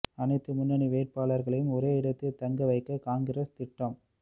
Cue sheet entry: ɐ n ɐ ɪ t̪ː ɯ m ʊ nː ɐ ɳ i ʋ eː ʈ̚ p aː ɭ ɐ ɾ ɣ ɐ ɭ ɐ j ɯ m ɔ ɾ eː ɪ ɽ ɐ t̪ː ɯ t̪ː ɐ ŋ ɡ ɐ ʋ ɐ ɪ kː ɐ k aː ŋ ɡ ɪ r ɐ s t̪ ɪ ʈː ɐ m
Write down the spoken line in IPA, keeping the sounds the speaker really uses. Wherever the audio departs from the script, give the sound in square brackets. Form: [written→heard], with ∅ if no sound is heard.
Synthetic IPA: ɐ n ɐ ɪ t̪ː ɯ m ʊ nː ɐ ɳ i ʋ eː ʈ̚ p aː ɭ ɐ ɾ ɣ ɐ ɭ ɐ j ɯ m ɔ ɾ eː ɪ ɽ ɐ t̪ː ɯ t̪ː ɐ ŋ ɡ ɐ ʋ ɐ ɪ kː ɐ k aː ŋ ɡ ɪ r ɐ s t̪ ɪ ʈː ɐ m